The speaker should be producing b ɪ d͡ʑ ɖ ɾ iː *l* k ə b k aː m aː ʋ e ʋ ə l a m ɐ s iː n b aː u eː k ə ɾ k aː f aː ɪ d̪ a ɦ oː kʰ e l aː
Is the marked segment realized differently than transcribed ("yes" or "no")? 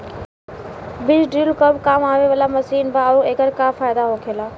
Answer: no